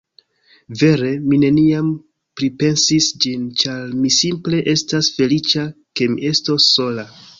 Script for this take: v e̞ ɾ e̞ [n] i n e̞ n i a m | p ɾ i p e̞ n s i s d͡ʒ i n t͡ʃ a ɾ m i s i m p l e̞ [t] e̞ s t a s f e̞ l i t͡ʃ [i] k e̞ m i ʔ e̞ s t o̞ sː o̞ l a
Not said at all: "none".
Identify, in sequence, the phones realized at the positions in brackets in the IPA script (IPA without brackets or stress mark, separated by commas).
m, ʔ, a